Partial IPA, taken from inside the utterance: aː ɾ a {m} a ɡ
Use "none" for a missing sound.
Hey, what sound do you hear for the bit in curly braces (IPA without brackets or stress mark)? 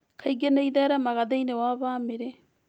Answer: m